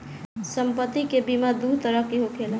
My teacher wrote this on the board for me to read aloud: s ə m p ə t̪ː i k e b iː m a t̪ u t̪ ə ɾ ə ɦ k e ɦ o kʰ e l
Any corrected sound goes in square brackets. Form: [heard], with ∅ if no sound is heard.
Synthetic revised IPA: s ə m p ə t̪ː i k e b [i] m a [d̪] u t̪ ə ɾ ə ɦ k e ɦ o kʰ e l